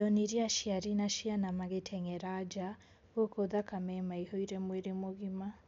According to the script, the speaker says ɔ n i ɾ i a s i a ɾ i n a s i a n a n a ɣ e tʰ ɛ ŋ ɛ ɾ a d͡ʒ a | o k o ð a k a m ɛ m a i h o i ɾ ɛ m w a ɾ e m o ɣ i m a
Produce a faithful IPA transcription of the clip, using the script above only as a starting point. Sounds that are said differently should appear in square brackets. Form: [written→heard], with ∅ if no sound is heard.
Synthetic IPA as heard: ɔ n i ɾ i a [s→ʃ] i a ɾ i n a [s→ʃ] i a n a [n→m] a ɣ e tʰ ɛ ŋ ɛ ɾ a d͡ʒ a | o k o ð a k a m ɛ m a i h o i ɾ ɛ m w [a→e] ɾ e m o ɣ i m a

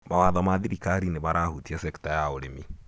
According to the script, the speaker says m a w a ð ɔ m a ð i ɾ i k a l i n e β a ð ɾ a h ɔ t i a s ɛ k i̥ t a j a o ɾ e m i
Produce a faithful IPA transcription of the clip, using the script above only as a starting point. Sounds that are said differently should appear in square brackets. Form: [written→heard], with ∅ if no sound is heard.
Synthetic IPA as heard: m a w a ð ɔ m a ð i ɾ i k a [l→ɾ] i n e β a [ð→∅] ɾ a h [ɔ→u] t i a s ɛ k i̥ t a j a o ɾ e m i

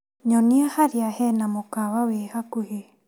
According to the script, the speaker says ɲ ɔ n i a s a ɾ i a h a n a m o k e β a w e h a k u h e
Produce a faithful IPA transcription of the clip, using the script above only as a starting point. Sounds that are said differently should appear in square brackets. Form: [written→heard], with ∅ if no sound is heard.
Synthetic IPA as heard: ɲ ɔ n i a [s→h] a ɾ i a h [a→ɛ] n a m o k [e→a] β a w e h a k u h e

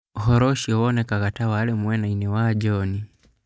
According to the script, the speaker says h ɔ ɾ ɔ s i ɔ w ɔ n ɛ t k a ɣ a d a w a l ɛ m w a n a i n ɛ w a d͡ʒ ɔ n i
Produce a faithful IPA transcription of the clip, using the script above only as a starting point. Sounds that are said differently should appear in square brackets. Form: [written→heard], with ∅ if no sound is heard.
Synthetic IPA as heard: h ɔ ɾ ɔ [s→ʃ] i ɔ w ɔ n ɛ [t→∅] k a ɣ a [d→t] a w a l ɛ m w [a→ɛ] n a i n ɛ w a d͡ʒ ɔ n i

